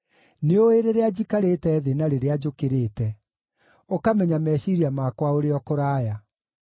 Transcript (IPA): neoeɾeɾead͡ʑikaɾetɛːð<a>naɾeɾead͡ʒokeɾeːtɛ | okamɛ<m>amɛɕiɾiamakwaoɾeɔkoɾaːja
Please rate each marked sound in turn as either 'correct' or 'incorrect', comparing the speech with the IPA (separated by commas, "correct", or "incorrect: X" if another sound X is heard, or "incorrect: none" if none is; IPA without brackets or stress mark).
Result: incorrect: e, incorrect: ɲ